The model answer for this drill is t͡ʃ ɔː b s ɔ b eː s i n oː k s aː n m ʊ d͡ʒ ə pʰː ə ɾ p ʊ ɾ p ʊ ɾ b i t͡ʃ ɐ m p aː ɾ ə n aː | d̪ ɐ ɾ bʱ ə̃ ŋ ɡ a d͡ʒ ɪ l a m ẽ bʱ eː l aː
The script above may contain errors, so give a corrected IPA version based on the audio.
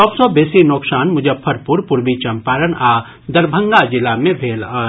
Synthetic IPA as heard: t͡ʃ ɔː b s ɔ b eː s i n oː k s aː n m ʊ d͡ʒ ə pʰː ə ɾ p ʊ ɾ p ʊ ɾ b i t͡ʃ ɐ m p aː ɾ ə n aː | d̪ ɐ ɾ bʱ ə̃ ŋ ɡ a d͡ʒ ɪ l a m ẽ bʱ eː l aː